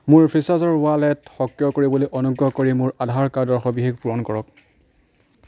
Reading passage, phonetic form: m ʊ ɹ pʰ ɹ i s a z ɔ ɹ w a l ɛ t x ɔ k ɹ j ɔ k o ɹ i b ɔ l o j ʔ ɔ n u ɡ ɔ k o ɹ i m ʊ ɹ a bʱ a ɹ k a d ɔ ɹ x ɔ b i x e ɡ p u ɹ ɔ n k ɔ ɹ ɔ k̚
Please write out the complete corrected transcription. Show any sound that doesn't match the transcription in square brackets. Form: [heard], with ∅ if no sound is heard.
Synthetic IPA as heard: m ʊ ɹ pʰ ɹ i s a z ɔ ɹ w a l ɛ t x ɔ k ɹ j ɔ k o ɹ i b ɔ l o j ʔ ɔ n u ɡ ɔ k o ɹ i m ʊ ɹ a [dʱ] a ɹ k a d ɔ ɹ x ɔ b i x e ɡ p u ɹ ɔ n k ɔ ɹ ɔ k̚